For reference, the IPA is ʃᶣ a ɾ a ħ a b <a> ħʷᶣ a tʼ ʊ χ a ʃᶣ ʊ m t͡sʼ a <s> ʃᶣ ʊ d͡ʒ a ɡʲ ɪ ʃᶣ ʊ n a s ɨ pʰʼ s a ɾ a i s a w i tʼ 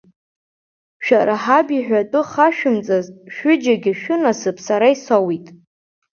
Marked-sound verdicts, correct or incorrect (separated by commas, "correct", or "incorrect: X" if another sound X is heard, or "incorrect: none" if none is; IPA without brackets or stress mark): incorrect: i, incorrect: z